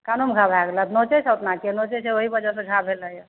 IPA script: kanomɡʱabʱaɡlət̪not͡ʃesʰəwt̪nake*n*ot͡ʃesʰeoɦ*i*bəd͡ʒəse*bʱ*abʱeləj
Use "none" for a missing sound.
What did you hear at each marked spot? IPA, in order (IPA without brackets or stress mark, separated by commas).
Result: n, i, ɡʱ